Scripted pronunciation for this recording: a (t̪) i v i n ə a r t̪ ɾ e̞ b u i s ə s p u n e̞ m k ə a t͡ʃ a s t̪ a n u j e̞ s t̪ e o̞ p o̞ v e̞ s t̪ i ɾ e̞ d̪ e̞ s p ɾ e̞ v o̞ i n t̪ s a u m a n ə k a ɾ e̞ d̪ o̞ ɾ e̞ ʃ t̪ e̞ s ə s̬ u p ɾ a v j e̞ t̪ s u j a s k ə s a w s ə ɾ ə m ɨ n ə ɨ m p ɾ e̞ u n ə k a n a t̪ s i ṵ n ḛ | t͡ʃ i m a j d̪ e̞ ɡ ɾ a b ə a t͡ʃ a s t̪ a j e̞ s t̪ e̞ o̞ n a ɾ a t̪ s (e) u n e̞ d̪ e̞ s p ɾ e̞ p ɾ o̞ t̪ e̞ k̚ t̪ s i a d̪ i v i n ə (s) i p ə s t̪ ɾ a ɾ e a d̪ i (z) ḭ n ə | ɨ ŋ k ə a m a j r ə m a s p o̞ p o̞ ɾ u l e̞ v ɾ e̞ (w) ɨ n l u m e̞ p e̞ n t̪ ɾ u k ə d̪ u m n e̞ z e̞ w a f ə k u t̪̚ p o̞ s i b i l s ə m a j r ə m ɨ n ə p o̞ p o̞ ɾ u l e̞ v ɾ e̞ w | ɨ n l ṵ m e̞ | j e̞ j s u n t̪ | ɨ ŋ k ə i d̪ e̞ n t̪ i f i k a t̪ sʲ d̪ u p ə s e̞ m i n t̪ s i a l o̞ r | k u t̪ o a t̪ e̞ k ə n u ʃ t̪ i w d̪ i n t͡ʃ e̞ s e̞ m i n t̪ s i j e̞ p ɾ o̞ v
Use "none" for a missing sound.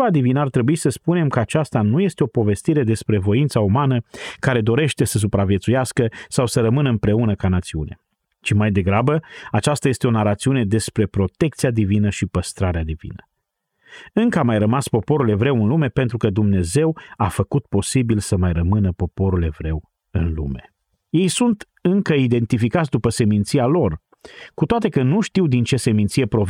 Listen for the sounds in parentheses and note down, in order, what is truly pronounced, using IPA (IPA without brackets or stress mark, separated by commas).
d̪, i, ʃ, v, w